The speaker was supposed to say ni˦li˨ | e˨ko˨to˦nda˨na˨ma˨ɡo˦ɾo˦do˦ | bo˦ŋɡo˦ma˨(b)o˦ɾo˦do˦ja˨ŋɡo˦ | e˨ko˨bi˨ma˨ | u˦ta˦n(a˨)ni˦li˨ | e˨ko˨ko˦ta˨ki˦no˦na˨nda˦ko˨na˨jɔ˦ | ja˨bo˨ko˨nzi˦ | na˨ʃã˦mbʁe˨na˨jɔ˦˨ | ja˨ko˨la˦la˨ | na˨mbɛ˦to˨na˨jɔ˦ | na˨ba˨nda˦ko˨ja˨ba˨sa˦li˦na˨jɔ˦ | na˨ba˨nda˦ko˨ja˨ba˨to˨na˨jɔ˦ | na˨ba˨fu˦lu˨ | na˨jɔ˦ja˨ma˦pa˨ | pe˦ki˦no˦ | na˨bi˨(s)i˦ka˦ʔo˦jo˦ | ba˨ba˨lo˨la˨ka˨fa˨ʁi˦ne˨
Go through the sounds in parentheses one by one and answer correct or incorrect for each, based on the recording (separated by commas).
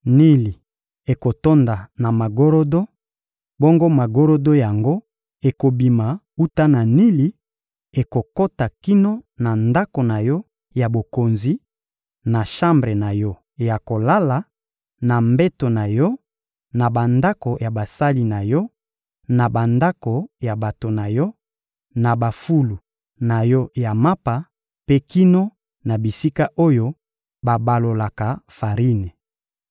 incorrect, correct, correct